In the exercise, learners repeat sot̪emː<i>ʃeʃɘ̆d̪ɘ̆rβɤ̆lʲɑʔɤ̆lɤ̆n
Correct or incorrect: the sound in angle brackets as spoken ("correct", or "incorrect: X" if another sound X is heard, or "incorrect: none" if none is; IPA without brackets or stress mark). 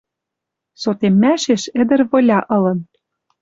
incorrect: æ